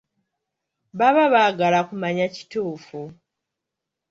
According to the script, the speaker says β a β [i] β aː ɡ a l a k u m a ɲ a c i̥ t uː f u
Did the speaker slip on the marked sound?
yes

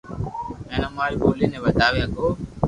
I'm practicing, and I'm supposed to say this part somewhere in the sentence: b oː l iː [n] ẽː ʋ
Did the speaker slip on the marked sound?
no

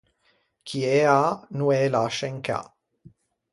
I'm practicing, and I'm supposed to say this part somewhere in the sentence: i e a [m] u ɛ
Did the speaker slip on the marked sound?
yes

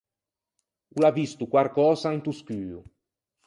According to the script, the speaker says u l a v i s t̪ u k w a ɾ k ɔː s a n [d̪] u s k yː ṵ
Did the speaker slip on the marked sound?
yes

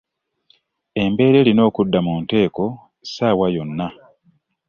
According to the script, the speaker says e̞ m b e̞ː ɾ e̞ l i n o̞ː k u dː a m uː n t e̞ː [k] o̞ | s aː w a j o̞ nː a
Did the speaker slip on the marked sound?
no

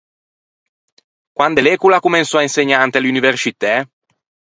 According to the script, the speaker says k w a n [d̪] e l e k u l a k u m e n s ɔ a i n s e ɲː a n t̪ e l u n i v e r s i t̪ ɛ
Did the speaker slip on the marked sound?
no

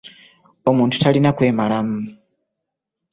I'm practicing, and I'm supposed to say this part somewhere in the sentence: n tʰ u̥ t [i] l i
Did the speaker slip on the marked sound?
yes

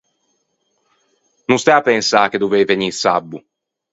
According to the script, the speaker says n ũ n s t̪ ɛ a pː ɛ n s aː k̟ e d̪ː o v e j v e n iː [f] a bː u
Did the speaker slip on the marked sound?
yes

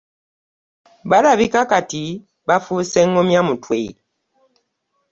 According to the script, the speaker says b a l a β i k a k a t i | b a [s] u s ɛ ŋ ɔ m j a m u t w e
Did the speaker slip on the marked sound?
yes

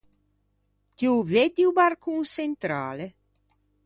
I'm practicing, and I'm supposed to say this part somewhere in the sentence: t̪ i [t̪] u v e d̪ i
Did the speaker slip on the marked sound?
yes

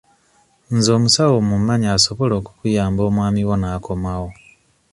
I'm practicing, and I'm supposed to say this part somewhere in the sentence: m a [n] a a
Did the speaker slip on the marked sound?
yes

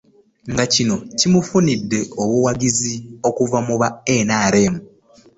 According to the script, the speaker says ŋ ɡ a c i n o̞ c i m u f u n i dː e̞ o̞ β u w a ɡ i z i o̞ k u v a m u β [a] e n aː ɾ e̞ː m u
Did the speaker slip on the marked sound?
no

